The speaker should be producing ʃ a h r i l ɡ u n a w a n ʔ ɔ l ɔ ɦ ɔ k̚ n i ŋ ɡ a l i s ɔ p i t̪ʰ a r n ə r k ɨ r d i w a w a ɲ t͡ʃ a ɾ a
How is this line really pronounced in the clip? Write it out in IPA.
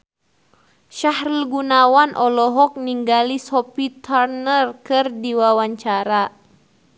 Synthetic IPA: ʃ a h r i l ɡ u n a w a n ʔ ɔ l ɔ ɦ ɔ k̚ n i ŋ ɡ a l i s ɔ p i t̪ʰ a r n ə r k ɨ r d i w a w a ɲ t͡ʃ a ɾ a